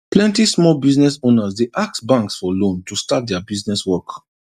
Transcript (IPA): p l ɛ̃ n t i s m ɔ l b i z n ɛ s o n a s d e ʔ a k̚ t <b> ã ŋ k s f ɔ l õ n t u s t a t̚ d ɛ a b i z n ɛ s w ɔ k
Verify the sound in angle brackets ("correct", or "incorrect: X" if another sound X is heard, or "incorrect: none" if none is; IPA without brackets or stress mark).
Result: correct